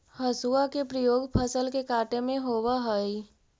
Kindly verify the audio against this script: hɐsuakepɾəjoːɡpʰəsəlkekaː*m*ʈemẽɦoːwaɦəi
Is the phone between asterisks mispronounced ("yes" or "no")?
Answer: yes